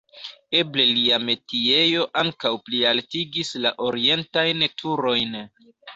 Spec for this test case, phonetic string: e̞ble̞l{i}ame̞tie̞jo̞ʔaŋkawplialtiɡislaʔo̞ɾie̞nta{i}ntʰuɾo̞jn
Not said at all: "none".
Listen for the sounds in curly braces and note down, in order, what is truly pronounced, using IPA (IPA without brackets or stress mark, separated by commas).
i, j